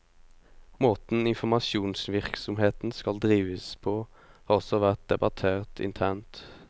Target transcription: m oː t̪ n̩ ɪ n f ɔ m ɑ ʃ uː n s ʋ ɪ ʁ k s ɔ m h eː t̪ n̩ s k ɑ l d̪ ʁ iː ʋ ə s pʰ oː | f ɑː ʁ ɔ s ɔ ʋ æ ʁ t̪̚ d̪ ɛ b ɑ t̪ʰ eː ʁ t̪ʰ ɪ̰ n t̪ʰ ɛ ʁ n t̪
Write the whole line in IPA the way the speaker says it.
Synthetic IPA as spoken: m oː t̪ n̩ ɪ n f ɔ m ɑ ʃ uː n s ʋ ɪ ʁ k s ɔ m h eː t̪ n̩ s k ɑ l d̪ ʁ iː ʋ ə s pʰ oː | h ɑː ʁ ɔ s ɔ ʋ æ ʁ t̪̚ d̪ ɛ b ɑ t̪ʰ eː ʁ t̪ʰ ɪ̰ n t̪ʰ æ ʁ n t̪

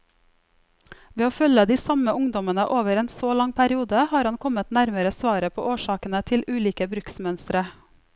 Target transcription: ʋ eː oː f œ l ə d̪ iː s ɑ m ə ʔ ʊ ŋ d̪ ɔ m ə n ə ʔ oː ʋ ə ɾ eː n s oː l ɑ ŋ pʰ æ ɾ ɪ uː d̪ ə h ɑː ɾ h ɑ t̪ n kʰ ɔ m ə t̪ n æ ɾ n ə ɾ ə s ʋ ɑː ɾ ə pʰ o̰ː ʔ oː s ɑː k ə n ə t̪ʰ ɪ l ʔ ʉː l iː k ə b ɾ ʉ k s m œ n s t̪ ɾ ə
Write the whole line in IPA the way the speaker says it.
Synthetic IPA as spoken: ʋ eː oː f œ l ə d̪ iː s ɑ m ə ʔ ʊ ŋ d̪ ɔ m ə n ə ʔ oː ʋ ə ɾ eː n s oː l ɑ ŋ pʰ æ ɾ ɪ uː d̪ ə h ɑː ɾ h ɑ n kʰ ɔ m ə t̪ n æ ɾ m ə ɾ ə s ʋ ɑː ɾ ə pʰ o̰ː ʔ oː ʃ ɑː k ə n ə t̪ʰ ɪ l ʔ ʉː l iː k ə b ɾ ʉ k s m œ n s t̪ ɾ ə

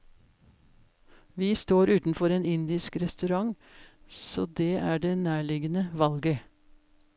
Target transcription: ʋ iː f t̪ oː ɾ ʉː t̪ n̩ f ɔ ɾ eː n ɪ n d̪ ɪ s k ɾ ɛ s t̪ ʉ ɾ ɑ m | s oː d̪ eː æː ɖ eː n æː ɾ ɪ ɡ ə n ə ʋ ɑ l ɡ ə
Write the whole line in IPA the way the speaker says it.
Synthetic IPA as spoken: ʋ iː s t̪ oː ɾ ʉː t̪ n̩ f ɔ ɾ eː n ɪ n d̪ ɪ s k ɾ ɛ s t̪ ʉ ɾ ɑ ŋ | s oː d̪ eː æː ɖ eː n æː ɭ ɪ ɡ ə n ə ʋ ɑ l ɡ ə

